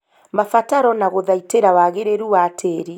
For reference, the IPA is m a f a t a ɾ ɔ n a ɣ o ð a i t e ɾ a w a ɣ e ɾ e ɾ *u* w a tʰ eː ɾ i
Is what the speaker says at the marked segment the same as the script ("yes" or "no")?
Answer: yes